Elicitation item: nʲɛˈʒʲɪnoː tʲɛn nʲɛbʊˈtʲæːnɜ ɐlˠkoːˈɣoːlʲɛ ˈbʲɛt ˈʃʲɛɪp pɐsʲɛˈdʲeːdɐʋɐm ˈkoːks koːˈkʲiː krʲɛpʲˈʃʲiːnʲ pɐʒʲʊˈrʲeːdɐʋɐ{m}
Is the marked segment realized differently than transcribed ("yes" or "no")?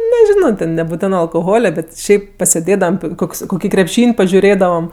no